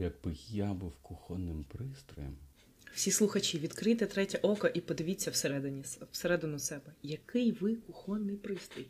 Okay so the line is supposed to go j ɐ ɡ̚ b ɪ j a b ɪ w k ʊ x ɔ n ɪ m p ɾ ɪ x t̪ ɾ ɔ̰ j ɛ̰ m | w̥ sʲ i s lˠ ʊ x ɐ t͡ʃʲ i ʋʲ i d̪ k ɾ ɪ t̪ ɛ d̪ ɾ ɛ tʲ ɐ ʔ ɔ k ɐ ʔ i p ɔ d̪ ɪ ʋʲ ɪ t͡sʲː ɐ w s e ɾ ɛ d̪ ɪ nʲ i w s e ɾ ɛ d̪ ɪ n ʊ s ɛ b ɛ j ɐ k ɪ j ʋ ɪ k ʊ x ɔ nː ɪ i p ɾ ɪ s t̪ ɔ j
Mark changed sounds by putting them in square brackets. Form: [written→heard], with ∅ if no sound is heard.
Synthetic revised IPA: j ɐ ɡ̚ b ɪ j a b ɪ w k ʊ x ɔ n ɪ m p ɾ ɪ [x→s] t̪ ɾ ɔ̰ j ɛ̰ m | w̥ sʲ i s lˠ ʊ x ɐ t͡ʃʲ i ʋʲ i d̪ k ɾ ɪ t̪ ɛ [d̪→t̪] ɾ ɛ tʲ ɐ ʔ ɔ k ɐ ʔ i p ɔ d̪ ɪ ʋʲ [ɪ→i] t͡sʲː ɐ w s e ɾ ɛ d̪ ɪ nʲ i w s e ɾ ɛ d̪ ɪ n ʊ s ɛ b ɛ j ɐ k ɪ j ʋ ɪ k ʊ x ɔ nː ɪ [i→j] p ɾ ɪ s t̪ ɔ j